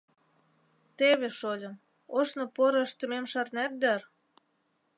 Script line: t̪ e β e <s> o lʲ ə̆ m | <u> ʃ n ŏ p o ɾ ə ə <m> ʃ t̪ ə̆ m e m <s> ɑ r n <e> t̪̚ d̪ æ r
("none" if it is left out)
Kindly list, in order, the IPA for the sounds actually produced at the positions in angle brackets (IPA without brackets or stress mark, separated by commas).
ʃ, o, none, ʃ, æ